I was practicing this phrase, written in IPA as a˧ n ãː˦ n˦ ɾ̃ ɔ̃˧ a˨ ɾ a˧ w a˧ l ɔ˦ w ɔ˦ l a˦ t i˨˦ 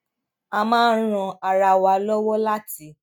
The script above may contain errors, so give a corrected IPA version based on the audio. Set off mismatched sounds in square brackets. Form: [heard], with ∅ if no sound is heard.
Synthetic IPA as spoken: a˧ [m] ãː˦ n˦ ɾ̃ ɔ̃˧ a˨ ɾ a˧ w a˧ l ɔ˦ w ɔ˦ l a˦ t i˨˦